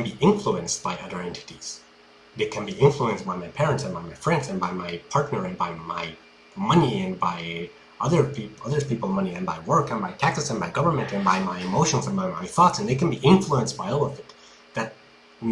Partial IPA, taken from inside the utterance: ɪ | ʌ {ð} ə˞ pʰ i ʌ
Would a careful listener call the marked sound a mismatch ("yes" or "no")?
no